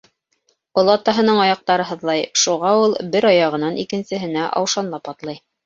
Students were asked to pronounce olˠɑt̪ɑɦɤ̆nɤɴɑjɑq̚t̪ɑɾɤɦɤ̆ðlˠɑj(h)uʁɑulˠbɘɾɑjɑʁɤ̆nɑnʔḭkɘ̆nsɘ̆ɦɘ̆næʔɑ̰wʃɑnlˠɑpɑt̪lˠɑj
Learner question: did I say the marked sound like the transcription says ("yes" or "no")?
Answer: no